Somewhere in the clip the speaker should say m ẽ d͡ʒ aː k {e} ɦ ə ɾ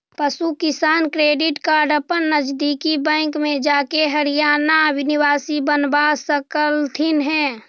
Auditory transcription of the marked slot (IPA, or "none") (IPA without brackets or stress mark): e